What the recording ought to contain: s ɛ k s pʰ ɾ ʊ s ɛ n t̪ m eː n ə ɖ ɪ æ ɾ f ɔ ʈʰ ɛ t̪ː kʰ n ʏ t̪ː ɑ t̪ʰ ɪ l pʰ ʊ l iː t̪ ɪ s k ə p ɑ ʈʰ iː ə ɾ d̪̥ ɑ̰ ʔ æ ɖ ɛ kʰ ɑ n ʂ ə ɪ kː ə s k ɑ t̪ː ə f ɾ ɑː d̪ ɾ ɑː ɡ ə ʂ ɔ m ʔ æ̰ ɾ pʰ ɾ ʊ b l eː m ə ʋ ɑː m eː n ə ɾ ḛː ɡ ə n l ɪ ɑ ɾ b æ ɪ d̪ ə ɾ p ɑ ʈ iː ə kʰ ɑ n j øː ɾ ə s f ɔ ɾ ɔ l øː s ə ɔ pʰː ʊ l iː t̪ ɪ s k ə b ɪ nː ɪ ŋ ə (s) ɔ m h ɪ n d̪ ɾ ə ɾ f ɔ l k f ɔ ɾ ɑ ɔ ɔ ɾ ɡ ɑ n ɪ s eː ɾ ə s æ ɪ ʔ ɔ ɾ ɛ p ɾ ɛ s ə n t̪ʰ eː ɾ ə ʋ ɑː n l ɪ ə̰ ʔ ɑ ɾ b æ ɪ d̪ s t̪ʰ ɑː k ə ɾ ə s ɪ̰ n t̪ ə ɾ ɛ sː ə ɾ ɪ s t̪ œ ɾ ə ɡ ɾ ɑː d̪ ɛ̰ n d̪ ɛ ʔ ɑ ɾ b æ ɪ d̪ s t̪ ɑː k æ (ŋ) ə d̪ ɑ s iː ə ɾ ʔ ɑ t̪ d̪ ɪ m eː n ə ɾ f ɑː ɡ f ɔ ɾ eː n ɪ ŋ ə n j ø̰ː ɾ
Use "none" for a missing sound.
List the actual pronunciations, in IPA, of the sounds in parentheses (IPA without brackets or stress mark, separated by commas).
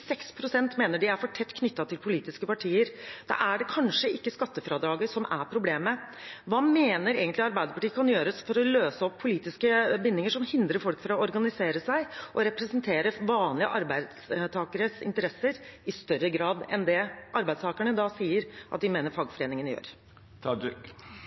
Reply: ʂ, ɳ